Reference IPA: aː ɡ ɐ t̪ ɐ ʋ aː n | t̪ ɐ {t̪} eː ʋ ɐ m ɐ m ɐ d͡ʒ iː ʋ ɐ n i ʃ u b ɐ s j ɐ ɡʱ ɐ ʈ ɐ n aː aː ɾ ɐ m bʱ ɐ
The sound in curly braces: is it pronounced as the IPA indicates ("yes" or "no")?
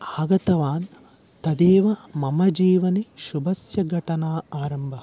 no